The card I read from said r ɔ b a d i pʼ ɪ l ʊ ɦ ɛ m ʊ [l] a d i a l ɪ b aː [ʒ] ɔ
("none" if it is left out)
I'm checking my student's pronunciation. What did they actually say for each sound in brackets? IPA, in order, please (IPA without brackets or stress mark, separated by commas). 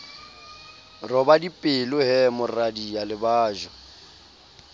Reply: r, ʒ